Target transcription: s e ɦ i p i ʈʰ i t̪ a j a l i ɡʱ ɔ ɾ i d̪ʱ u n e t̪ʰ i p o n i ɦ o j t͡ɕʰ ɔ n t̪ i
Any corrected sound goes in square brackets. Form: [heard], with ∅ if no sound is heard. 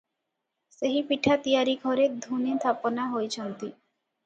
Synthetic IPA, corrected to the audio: s e ɦ i p i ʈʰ [a] t̪ [i] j a [ɾ] i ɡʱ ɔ ɾ [e] d̪ʱ u n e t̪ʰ [a] p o n [a] ɦ o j t͡ɕʰ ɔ n t̪ i